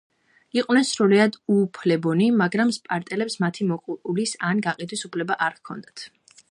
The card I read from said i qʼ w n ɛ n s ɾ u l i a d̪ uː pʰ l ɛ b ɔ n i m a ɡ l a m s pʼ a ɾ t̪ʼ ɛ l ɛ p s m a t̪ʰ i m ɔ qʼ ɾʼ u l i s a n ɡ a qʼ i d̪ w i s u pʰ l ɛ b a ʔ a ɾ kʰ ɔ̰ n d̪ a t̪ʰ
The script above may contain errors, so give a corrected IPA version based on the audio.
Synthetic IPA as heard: i qʼ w n ɛ n s ɾ u l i a d̪ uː pʰ l ɛ b ɔ n i m a ɡ ɾ a m s pʼ a ɾ t̪ʼ ɛ l ɛ p s m a t̪ʰ i m ɔ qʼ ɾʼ u l i s a n ɡ a qʼ i d̪ w i s u pʰ l ɛ b a ʔ a ɾ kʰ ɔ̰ n d̪ a t̪ʰ